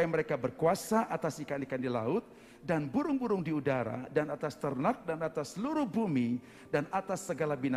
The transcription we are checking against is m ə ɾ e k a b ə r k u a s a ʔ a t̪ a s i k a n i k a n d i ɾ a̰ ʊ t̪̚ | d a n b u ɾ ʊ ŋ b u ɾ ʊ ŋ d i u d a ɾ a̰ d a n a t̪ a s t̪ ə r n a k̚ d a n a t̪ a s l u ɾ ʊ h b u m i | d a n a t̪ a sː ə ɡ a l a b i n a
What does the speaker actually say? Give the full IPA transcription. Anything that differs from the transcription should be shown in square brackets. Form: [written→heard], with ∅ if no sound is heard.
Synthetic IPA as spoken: m ə ɾ e k a b ə r k u a s a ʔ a t̪ a s i k a n i k a n d i [ɾ→l] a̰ ʊ t̪̚ | d a n b u ɾ ʊ ŋ b u ɾ ʊ ŋ d i u d a ɾ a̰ d a n a t̪ a s t̪ ə r n a k̚ d a n a t̪ a s l u ɾ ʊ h b u m i | d a n a t̪ a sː ə ɡ a l a b i n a